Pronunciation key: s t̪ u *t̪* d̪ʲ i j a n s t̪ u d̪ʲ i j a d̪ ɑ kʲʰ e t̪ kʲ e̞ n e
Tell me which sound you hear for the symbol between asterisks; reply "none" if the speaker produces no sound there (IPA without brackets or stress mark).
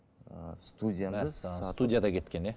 none